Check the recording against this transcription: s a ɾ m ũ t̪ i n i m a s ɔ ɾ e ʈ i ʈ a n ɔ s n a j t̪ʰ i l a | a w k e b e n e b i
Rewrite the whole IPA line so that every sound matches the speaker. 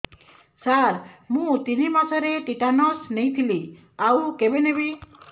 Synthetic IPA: s a ɾ m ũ t̪ i n i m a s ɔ ɾ e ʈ i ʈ a n ɔ s n e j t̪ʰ i l i | a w k e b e n e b i